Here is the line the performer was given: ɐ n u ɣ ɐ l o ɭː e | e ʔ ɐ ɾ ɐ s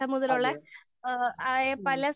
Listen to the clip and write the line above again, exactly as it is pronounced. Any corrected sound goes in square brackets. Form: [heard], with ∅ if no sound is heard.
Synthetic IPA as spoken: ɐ [m] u [ð] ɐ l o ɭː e | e [p] ɐ [l] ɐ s